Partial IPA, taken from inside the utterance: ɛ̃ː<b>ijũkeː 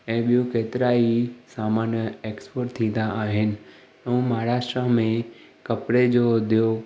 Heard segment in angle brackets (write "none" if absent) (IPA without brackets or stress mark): ɓ